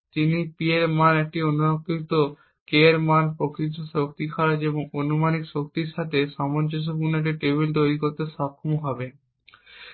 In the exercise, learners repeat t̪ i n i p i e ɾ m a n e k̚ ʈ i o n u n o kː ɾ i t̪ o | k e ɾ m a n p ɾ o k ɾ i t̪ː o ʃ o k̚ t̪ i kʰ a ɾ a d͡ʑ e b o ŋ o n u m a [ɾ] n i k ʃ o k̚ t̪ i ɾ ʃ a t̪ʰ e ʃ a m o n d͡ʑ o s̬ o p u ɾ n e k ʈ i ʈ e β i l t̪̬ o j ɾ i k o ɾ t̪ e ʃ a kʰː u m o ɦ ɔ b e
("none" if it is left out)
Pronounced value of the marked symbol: none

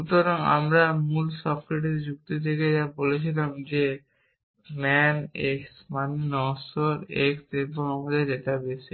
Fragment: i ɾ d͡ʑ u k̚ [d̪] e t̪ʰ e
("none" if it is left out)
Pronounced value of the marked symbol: t̪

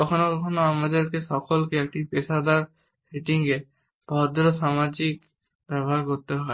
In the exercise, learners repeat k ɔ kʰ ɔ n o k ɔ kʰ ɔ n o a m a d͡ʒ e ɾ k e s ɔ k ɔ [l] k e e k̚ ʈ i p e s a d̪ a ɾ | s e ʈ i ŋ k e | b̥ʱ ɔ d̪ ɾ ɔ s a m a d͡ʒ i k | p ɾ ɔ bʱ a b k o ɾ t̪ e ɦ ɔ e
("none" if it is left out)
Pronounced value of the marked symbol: l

